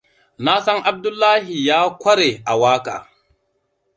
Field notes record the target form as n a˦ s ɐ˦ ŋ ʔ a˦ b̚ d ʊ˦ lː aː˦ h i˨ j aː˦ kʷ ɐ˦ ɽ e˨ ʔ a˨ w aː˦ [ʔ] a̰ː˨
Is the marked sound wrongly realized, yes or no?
yes